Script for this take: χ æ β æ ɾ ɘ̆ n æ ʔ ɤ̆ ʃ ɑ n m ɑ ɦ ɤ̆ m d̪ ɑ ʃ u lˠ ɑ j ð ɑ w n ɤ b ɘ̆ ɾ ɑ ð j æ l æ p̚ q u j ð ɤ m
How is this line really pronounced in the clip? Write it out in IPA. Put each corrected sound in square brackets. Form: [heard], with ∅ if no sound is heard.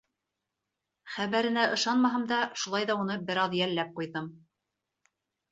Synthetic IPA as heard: χ æ β æ ɾ ɘ̆ n æ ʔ ɤ̆ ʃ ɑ n m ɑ ɦ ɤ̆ m d̪ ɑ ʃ u lˠ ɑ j ð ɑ [u] n ɤ b ɘ̆ ɾ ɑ ð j æ [lː] æ p̚ q u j ð ɤ m